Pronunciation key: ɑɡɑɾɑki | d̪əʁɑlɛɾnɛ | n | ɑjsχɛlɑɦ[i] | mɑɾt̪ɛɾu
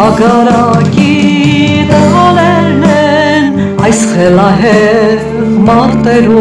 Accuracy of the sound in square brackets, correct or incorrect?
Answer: incorrect